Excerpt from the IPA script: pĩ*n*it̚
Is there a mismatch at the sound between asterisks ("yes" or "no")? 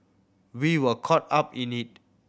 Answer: no